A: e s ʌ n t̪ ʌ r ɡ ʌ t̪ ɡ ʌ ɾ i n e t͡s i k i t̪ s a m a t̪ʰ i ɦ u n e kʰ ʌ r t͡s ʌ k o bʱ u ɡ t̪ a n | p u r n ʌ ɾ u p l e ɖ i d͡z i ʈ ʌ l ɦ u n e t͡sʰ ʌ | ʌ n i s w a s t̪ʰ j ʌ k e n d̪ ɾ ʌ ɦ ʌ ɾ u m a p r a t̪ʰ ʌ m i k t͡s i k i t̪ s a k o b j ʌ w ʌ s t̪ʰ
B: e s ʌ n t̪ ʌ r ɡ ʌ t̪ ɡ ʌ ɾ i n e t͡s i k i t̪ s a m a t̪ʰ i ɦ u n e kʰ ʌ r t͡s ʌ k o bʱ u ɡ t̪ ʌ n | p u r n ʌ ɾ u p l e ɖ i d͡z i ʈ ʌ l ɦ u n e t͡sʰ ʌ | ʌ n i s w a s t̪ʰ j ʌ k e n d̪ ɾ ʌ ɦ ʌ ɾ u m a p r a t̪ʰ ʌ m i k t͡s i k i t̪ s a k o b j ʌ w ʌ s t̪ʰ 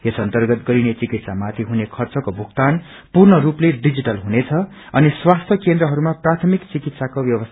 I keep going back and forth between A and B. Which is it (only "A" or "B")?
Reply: A